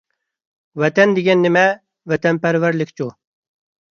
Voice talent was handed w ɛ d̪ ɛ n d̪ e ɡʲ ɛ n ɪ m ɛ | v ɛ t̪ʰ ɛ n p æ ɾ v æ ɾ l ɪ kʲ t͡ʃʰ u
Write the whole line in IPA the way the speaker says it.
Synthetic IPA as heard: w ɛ t̪ ɛ n d̪ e ɡʲ ɛ nː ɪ m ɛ | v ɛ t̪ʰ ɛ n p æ ɾ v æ ɾ l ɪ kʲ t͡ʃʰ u